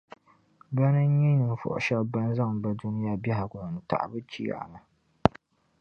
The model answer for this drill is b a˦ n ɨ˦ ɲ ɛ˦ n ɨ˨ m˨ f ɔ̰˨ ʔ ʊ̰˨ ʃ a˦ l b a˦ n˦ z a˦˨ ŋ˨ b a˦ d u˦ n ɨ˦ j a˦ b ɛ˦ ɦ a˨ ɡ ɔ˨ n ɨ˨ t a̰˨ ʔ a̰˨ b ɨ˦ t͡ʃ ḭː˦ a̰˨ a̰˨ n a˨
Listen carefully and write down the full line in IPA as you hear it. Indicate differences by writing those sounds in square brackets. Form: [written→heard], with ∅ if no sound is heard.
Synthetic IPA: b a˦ n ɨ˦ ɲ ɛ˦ n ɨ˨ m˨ f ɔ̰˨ ʔ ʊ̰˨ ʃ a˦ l b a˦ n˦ z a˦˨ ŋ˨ b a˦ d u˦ n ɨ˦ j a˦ b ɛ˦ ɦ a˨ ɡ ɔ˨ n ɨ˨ t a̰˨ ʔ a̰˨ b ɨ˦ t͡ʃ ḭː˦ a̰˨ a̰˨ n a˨

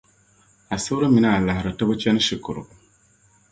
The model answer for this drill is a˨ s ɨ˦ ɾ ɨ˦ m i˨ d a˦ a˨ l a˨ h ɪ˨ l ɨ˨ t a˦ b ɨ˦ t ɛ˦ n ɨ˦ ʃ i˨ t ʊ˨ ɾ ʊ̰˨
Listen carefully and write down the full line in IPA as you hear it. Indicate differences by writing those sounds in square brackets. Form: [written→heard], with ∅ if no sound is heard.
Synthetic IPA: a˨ s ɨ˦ ɾ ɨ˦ m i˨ [d→n] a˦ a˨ l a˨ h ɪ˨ [l→ɾ] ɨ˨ t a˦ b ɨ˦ [t→t͡ʃ] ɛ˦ n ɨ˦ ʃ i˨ [t→k] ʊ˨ ɾ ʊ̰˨

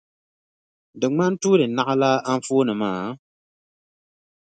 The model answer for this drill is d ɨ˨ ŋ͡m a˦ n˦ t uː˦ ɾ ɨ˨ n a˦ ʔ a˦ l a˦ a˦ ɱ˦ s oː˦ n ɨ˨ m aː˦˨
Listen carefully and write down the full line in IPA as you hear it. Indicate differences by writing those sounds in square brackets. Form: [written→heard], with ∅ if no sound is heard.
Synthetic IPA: d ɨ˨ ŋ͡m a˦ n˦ t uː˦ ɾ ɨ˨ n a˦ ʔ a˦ l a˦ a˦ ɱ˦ [s→f] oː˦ n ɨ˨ m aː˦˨

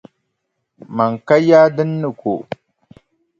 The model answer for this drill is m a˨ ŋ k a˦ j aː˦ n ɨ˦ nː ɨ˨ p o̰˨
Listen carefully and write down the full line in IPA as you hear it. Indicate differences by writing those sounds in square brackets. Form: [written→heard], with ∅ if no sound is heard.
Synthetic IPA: m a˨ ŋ k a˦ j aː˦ [n→d] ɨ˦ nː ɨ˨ [p→k] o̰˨

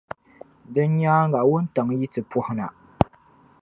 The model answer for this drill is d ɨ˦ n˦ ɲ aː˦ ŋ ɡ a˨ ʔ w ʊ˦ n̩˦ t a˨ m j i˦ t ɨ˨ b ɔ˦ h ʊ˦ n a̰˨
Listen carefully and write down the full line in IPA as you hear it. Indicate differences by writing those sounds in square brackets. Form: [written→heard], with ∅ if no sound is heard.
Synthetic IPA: d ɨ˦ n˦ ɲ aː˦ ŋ ɡ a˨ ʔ w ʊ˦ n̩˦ t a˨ [m→ŋ] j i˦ t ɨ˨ [b→p] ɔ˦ h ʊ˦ n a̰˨

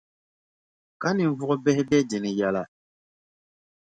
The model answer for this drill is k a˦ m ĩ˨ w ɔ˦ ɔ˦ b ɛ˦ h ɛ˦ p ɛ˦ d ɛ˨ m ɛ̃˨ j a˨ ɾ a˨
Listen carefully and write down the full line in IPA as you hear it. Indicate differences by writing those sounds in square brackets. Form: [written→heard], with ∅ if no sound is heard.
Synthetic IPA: k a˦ [m→n] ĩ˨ [w→v] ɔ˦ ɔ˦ b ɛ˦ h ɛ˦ [p→b] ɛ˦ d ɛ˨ [m→n] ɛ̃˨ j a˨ [ɾ→l] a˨

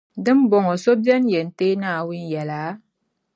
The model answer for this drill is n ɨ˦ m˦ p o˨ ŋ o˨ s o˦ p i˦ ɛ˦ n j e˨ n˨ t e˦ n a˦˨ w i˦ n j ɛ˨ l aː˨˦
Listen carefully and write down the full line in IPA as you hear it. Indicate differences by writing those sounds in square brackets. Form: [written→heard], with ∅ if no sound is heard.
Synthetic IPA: [n→d] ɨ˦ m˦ [p→b] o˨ ŋ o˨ s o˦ [p→b] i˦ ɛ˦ n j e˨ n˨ t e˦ n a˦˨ w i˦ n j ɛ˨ l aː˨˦

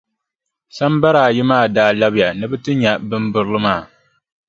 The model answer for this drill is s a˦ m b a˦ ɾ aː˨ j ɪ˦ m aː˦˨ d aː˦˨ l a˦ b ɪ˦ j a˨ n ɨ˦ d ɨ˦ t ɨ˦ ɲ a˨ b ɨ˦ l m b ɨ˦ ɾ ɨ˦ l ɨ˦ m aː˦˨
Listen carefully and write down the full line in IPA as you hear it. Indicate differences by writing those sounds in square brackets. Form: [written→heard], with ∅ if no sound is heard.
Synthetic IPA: s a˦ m b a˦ ɾ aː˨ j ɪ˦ m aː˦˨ d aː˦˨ l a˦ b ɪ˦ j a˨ n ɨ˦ [d→b] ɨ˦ t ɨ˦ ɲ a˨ b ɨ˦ [l→∅] m b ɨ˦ ɾ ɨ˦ l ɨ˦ m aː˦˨

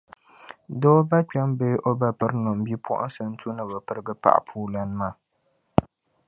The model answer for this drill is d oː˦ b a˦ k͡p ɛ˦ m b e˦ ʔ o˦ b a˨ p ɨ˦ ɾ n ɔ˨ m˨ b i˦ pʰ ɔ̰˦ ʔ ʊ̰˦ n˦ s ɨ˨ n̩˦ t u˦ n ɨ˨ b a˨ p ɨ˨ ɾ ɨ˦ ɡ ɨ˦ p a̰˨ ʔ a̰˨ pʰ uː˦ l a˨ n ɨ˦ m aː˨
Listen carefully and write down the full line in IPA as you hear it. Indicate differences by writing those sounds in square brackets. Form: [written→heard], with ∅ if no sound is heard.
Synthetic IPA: d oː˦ b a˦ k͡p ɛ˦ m b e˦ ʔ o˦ b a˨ p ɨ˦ ɾ n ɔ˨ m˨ b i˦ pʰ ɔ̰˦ ʔ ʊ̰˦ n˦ s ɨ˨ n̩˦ t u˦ n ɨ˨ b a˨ p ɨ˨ ɾ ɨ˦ ɡ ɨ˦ p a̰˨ ʔ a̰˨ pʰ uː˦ l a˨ n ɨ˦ m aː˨

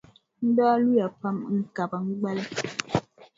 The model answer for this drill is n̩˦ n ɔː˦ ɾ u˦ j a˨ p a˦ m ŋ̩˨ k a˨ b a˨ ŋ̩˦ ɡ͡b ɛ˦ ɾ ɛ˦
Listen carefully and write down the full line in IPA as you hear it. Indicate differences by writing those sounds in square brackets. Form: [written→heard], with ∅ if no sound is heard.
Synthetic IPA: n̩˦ [n→d] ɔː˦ [ɾ→l] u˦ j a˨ p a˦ m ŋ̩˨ k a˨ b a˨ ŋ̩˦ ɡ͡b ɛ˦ [ɾ→l] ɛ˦

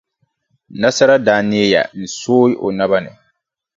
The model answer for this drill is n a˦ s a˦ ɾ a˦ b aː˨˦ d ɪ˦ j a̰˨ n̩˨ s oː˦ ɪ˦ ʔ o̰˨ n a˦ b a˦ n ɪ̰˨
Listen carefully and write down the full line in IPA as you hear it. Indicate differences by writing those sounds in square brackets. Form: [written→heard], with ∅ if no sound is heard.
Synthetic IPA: n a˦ s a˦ ɾ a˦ [b→d] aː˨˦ [d→n] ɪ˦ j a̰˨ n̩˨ s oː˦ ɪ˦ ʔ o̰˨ n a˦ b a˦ n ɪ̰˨

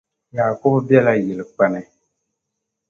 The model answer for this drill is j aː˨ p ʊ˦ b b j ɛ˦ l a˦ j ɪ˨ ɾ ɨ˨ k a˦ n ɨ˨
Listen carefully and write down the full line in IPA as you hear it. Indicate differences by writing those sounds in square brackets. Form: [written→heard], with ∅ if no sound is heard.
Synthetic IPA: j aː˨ [p→k] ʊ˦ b b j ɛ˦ l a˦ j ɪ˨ [ɾ→l] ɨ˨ [k→k͡p] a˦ n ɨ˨

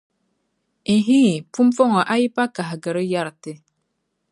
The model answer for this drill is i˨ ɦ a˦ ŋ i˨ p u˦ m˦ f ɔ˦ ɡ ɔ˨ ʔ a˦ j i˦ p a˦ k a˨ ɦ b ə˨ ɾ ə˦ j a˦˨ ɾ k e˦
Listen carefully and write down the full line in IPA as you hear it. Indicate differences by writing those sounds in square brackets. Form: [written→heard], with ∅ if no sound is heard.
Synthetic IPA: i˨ ɦ [a˦→i˦] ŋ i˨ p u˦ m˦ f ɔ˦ [ɡ→ŋ] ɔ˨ ʔ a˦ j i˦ p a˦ k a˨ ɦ [b→ɡ] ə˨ ɾ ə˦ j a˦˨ ɾ [k→t] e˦

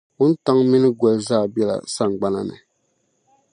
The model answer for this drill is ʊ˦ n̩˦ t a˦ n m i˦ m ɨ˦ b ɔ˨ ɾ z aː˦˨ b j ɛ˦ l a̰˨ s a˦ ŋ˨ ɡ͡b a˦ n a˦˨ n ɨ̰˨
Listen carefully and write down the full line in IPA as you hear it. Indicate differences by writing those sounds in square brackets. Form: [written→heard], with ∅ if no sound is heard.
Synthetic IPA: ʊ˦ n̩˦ t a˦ [n→ŋ] m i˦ [m→n] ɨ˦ [b→ɡ] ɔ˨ [ɾ→l] z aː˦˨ b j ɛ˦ l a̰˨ s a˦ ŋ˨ ɡ͡b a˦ n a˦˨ n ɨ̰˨

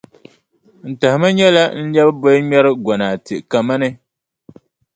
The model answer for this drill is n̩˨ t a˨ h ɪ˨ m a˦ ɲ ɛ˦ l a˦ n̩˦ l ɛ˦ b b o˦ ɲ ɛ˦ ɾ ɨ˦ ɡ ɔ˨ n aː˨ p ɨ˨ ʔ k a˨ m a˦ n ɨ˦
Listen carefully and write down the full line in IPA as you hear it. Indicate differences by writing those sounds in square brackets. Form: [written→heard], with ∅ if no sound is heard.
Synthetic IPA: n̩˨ t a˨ h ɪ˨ m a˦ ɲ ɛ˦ l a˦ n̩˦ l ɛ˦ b b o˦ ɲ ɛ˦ ɾ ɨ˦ ɡ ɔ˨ n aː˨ [p→t] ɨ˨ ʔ k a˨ m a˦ n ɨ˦

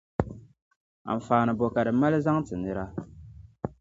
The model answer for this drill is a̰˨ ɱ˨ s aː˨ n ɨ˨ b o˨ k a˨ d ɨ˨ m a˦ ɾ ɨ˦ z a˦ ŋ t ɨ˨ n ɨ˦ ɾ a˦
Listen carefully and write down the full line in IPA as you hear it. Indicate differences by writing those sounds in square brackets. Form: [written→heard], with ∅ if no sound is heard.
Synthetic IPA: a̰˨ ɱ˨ [s→f] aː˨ n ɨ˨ b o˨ k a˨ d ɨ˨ m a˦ [ɾ→l] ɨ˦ z a˦ ŋ t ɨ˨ n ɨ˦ ɾ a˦

